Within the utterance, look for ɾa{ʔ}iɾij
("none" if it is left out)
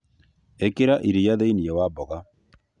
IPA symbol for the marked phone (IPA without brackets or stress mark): ʔ